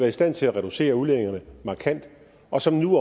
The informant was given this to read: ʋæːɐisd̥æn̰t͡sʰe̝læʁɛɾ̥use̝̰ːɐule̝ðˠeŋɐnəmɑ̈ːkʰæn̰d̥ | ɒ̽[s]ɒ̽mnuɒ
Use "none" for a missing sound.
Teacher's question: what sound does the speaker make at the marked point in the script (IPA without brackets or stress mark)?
s